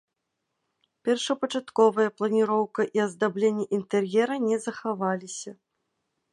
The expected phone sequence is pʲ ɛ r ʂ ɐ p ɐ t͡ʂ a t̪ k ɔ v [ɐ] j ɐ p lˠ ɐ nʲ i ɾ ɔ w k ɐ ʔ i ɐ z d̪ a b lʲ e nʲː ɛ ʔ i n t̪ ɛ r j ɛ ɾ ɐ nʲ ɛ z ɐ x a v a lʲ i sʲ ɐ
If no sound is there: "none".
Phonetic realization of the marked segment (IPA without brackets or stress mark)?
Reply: ɐ